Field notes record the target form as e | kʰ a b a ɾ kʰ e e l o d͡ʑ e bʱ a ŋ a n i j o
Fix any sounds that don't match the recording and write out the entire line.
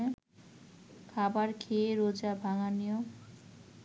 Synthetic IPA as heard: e | kʰ a b a ɾ kʰ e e ɾ o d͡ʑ a bʱ a ŋ a n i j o